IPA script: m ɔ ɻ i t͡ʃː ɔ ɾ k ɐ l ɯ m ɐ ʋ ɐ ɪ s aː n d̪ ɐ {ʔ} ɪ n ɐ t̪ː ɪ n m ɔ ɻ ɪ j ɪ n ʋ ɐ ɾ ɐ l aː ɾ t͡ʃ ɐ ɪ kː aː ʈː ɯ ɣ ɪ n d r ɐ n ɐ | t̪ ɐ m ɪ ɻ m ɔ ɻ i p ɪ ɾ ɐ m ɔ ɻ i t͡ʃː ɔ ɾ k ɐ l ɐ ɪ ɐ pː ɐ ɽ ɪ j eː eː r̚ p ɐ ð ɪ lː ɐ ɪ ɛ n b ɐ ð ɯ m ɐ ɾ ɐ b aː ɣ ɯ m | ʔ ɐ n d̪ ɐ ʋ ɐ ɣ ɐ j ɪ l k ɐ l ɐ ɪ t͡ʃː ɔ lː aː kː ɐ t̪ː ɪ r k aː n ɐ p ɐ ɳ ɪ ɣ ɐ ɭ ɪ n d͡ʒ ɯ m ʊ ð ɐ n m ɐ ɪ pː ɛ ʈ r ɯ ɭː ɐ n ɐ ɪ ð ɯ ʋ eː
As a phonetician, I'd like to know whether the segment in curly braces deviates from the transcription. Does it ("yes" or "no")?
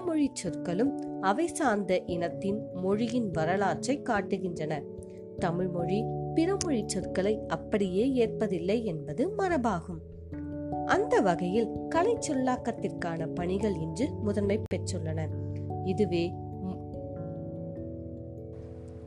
no